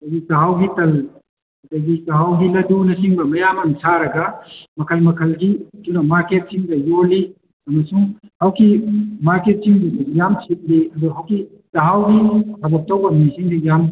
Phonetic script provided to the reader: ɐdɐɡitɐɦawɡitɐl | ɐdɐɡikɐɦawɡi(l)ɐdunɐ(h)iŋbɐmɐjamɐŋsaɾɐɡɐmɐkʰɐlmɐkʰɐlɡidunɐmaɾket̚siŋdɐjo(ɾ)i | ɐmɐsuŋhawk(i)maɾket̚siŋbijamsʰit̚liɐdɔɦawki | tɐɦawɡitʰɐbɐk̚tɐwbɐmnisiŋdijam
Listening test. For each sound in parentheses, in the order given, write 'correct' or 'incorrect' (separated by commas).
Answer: correct, incorrect, incorrect, correct